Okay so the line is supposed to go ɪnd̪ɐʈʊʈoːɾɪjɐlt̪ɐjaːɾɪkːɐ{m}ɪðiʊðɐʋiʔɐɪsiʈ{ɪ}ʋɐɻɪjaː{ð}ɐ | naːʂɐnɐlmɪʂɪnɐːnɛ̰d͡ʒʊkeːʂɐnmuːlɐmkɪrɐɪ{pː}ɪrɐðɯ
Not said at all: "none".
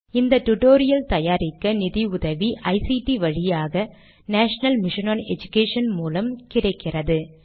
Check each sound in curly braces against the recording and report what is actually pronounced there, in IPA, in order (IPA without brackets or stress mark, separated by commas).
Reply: n, i, ɣ, kː